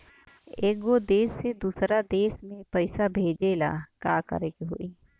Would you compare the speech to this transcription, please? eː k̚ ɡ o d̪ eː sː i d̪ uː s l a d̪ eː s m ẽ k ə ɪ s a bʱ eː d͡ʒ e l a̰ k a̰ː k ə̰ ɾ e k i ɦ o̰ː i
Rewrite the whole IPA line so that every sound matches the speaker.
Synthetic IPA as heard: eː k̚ ɡ o d̪ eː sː e d̪ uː s ɾ a d̪ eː s m ẽ p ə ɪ s a bʱ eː d͡ʒ e l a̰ k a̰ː k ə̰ ɾ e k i ɦ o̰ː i